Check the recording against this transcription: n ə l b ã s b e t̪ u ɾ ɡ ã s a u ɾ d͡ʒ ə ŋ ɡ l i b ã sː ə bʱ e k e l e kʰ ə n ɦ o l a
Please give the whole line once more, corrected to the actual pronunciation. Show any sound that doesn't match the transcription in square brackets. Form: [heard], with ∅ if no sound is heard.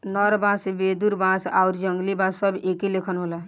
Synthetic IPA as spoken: n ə [ɾ] b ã s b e [d̪] u ɾ [b] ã s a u ɾ d͡ʒ ə ŋ ɡ l i b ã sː ə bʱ e k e l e kʰ ə n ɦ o l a